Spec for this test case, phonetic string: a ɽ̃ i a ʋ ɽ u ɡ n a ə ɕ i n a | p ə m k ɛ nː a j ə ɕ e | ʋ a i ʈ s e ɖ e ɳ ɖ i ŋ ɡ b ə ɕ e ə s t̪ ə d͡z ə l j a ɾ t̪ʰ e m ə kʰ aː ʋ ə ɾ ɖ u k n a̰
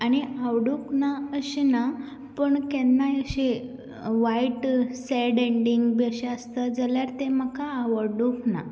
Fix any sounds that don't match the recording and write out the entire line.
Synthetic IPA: a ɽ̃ i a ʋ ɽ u k n a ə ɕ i n a | p ə ɳ k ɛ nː a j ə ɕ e | ʋ a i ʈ s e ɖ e ɳ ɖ i ŋ ɡ b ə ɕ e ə s t̪ ə d͡z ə l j a ɾ t̪ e m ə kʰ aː ʋ ə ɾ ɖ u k n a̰

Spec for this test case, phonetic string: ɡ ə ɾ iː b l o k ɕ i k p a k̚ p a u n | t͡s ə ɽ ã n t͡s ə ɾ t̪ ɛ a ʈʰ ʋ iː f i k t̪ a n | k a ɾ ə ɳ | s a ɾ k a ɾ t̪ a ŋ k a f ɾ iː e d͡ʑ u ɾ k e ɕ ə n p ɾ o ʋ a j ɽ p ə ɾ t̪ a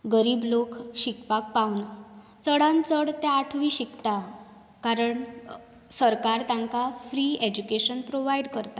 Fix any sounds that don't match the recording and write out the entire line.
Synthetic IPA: ɡ ə ɾ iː b l o k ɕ i k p a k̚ p a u n | t͡s ə ɽ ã n t͡s ə ɽ t̪ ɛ a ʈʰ ʋ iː ɕ i k t̪ a | k a ɾ ə ɳ | s ə ɾ k a ɾ t̪ a ŋ k a f ɾ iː e d͡ʑ u k e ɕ ə n p ɾ o ʋ a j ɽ k ə ɾ t̪ a

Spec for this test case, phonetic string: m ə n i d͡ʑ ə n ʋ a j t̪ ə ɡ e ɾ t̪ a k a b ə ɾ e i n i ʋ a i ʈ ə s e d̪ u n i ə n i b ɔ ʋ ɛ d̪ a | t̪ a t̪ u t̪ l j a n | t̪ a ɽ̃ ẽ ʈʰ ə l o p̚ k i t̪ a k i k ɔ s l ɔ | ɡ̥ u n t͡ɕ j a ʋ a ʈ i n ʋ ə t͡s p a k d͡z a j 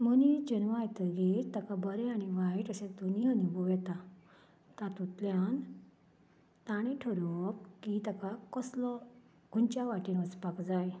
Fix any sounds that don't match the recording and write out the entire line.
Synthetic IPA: m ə n i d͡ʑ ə n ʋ a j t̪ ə ɡ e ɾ t̪ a k a b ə ɾ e a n i ʋ a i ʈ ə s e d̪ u n i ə n i b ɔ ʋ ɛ t̪ a | t̪ a t̪ u t̪ l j a n | t̪ a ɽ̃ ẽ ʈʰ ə ɾ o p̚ k i t̪ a k a k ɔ s l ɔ | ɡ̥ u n t͡ɕ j a ʋ a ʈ i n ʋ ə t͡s p a k d͡z a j

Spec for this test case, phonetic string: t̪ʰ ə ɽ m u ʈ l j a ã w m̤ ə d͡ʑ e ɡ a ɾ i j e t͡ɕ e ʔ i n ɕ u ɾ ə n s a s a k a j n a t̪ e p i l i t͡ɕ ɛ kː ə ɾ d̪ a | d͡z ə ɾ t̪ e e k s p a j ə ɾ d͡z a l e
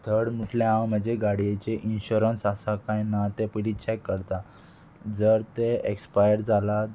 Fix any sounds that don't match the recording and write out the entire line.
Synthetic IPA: t̪ʰ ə ɽ m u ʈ l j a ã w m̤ ə d͡ʑ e ɡ a ɽ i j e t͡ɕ e ʔ i n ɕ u ɾ ə n s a s a k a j n a t̪ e p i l i t͡ɕ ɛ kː ə ɾ t̪ a | d͡z ə ɾ t̪ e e k s p a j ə ɾ d͡z a l a

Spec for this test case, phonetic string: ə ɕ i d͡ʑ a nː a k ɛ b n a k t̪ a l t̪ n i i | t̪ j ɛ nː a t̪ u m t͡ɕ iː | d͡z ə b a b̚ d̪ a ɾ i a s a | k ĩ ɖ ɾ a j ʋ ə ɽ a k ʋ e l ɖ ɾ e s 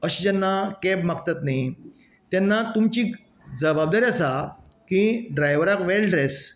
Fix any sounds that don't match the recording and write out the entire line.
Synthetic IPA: ə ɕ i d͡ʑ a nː a k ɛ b m a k t̪ a t̪ n a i | t̪ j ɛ nː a t̪ u m t͡ɕ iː | d͡z ə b a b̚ d̪ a ɾ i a s a | k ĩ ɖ ɾ a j ʋ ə ɾ a k ʋ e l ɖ ɾ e s

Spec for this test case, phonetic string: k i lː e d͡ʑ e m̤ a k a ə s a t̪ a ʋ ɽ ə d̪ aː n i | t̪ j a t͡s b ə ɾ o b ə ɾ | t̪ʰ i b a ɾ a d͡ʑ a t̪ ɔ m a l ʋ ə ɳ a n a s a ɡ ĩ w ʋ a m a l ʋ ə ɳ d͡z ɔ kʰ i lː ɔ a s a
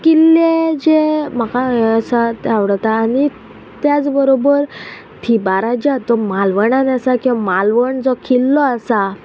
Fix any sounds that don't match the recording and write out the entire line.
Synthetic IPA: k i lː e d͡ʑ e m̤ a k a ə s a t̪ a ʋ ɽ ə t̪ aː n i | t̪ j a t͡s b ə ɾ o b ə ɾ | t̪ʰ i b a ɾ a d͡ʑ a t̪ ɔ m a l ʋ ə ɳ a n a s a k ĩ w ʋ a m a l ʋ ə ɳ d͡z ɔ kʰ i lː ɔ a s a

